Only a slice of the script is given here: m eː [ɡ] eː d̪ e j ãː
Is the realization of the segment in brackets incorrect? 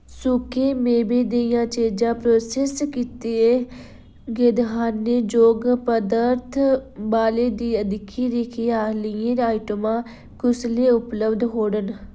yes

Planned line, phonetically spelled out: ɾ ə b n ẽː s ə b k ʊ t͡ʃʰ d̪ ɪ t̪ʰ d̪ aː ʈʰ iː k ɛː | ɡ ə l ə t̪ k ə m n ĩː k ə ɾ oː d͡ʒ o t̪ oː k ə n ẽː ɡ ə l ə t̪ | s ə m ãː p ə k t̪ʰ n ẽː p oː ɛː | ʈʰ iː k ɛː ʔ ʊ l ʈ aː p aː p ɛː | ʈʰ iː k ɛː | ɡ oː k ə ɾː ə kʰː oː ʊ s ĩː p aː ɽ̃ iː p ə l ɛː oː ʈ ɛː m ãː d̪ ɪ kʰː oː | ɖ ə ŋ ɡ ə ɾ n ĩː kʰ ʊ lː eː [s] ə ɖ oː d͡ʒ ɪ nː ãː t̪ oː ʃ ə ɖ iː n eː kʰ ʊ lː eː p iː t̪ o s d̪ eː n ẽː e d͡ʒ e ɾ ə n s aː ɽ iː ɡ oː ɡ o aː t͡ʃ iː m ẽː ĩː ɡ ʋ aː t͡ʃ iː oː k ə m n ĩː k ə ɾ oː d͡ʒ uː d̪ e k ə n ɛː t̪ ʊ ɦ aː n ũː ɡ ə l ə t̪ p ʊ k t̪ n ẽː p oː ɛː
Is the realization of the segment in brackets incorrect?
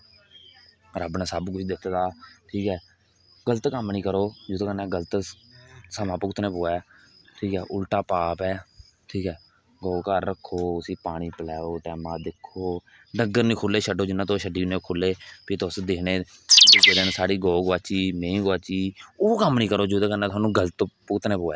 yes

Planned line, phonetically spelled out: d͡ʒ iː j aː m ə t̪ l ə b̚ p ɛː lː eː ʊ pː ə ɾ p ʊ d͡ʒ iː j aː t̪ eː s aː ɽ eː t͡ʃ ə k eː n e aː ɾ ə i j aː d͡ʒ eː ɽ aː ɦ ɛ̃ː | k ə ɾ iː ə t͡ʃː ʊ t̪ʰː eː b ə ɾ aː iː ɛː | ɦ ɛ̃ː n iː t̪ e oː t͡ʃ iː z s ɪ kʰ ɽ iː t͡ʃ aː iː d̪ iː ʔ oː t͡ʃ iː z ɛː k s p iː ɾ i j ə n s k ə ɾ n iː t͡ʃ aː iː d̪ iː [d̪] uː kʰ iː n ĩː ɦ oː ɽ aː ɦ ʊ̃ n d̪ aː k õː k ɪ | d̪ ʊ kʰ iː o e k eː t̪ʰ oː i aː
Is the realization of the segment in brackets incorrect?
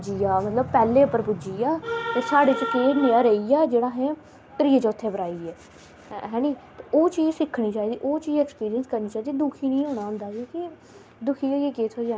no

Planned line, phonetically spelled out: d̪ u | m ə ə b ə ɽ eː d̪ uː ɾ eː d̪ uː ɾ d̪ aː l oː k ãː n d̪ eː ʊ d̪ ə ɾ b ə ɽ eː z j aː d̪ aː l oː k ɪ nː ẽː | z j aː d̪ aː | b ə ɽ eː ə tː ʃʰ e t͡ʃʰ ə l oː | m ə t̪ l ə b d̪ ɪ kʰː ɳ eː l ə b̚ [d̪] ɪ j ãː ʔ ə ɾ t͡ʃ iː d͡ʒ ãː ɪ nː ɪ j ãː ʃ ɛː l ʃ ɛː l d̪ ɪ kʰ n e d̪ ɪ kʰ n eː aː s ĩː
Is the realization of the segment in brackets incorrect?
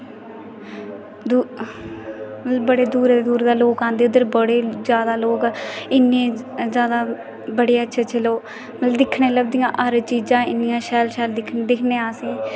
no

